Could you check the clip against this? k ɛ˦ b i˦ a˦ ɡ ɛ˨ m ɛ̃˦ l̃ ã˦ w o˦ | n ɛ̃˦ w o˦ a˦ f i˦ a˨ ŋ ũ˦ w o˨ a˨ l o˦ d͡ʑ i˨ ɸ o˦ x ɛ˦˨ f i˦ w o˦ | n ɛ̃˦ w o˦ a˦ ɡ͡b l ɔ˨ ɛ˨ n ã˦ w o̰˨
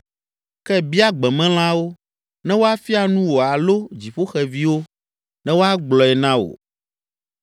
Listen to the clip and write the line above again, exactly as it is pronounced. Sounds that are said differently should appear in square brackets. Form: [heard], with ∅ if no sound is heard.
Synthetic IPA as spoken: k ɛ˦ b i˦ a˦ [ɡ͡b] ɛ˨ m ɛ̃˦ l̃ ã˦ w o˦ | n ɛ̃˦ w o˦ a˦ f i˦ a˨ [n] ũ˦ w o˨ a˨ l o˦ d͡ʑ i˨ ɸ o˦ x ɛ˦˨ [v] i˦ w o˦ | n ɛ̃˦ w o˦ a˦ ɡ͡b l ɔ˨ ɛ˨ n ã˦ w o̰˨